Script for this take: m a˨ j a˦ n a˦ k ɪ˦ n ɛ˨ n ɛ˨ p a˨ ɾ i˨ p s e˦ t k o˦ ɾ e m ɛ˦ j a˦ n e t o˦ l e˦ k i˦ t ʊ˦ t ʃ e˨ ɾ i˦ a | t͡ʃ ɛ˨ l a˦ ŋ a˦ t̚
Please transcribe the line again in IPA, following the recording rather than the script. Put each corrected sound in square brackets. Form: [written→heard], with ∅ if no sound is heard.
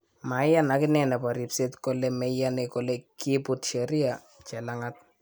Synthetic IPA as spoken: m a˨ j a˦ n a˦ k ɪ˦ n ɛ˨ n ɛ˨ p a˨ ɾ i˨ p s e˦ t k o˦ [ɾ→l] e m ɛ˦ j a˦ n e [t→k] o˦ l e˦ k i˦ [t→p] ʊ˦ t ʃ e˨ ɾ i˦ a | t͡ʃ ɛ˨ l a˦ ŋ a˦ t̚